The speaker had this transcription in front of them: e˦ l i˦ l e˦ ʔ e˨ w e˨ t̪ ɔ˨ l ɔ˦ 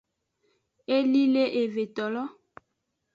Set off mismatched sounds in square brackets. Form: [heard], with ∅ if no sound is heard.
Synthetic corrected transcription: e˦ l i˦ l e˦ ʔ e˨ [v] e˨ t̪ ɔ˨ l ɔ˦

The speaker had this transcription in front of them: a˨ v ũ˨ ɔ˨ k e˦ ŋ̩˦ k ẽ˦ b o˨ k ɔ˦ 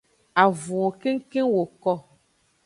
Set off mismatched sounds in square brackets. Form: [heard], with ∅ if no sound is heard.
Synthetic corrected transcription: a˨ v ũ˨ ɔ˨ k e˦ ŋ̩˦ k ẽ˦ [w] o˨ k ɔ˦

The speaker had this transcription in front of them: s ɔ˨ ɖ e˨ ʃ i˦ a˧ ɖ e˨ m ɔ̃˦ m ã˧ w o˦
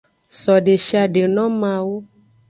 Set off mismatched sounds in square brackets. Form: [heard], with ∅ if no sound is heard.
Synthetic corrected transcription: s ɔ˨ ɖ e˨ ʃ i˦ a˧ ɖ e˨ [n] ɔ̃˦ m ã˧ w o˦

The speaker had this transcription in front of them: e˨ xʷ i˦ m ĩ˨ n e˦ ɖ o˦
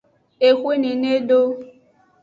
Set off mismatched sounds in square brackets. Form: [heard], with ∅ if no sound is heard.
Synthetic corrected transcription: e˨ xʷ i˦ [n] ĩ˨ n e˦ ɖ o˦

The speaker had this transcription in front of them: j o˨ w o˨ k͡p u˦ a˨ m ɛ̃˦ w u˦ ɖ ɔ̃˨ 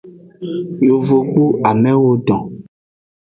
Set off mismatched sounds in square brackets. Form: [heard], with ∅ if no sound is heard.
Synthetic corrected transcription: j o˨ [v] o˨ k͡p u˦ a˨ m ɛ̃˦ w [o˦] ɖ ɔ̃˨

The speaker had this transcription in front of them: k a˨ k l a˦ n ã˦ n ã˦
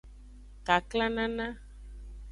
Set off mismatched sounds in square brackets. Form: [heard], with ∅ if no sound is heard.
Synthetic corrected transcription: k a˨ k l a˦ n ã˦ n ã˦

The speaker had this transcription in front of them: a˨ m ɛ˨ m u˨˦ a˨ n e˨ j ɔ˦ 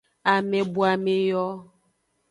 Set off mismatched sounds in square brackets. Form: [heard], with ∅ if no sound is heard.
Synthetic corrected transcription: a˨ m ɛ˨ [b] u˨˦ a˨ [m] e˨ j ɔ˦

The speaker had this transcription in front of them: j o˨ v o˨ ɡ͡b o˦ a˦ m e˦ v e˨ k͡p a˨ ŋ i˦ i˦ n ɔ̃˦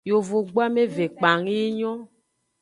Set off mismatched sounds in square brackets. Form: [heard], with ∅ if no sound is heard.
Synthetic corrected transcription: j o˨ v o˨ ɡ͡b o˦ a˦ m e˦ v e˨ k͡p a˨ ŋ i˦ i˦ [ɲ] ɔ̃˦

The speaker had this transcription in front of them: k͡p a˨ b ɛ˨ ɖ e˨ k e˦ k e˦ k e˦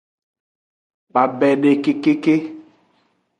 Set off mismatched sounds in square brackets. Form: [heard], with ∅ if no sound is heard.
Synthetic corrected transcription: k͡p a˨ b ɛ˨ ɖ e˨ k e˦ k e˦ k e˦

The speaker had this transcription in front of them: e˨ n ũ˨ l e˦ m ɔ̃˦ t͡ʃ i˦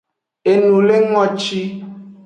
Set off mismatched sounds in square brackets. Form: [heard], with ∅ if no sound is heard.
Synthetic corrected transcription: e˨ n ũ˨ l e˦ [ŋ] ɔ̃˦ t͡ʃ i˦

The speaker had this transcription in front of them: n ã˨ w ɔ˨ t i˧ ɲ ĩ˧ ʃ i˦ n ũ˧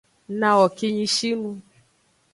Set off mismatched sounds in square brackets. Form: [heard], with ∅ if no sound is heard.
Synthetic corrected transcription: n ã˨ w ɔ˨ [k] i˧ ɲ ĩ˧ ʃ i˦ n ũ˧

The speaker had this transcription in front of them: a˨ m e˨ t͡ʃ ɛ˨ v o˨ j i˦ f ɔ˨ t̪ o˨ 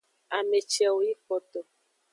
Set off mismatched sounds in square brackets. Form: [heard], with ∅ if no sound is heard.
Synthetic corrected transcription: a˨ m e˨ t͡ʃ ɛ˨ [w] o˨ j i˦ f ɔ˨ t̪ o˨

